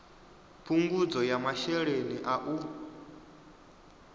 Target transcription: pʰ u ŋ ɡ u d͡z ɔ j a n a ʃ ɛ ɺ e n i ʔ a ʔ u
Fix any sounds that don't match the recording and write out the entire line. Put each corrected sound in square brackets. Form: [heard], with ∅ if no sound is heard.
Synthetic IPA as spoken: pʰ u ŋ ɡ u d͡z ɔ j a [m] a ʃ ɛ ɺ e n i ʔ a ʔ u